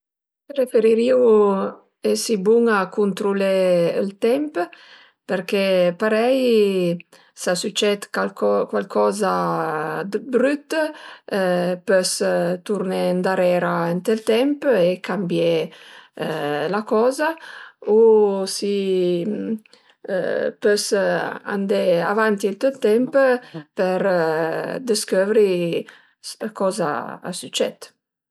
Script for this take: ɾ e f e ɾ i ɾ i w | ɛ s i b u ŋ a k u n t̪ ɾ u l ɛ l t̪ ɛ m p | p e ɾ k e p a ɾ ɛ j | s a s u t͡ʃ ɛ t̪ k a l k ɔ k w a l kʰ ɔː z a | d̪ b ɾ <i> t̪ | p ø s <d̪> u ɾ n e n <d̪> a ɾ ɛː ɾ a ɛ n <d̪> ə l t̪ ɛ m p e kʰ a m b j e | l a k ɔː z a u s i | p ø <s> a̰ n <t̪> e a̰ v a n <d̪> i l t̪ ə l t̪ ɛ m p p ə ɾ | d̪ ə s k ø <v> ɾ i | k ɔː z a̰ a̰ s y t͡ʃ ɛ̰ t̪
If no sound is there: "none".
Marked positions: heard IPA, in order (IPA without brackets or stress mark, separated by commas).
y, t̪, d̪, t̪, s, d̪, t̪, v